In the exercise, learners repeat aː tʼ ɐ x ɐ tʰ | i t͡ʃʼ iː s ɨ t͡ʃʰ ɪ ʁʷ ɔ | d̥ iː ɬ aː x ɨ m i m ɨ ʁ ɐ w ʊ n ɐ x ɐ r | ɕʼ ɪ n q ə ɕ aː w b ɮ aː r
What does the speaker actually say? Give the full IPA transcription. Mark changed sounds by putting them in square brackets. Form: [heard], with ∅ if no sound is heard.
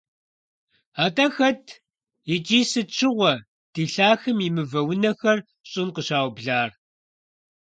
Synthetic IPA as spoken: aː tʼ ɐ x ɐ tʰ | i t͡ʃʼ iː s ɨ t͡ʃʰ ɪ ʁʷ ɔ | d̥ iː ɬ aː x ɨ m i m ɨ [v] ɐ w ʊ n ɐ x ɐ r | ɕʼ ɪ n q ə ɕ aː w b ɮ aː r